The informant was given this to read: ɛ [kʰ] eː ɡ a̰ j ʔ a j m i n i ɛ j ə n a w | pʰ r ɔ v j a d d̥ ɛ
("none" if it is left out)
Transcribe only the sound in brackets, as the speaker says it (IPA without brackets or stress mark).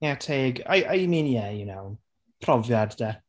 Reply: tʰ